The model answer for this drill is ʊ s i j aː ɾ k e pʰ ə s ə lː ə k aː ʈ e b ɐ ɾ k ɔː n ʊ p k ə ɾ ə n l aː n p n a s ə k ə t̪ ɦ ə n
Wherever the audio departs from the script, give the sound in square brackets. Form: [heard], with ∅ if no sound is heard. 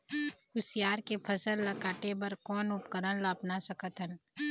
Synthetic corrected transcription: ʊ s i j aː ɾ k e pʰ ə s ə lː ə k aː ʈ e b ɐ ɾ k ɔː n ʊ p k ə ɾ ə n l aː [∅] p n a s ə k ə t̪ ɦ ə n